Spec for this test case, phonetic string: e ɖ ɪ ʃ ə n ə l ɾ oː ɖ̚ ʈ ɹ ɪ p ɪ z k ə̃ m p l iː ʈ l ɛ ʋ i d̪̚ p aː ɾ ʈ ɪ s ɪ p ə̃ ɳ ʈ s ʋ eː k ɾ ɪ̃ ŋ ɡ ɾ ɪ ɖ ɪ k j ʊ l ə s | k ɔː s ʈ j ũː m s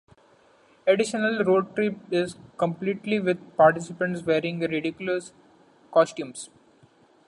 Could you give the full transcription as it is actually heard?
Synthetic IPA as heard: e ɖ ɪ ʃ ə n ə l ɾ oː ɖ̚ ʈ ɾ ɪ p ɪ z k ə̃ m p l iː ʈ l i ʋ ɪ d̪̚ p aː ɾ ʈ ɪ s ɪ p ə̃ ɳ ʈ s ʋ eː ɾ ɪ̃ ŋ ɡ ɾ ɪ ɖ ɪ k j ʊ l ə s | k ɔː s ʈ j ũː m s